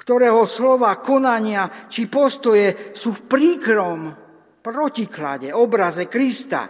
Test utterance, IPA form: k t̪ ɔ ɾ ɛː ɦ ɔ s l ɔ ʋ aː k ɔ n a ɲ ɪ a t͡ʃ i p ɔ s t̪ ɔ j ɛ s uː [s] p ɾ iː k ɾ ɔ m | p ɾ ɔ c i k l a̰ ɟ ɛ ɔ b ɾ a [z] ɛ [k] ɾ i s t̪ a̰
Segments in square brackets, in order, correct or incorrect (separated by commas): incorrect, correct, correct